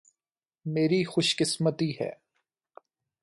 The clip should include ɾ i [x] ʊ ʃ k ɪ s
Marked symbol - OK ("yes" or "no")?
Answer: yes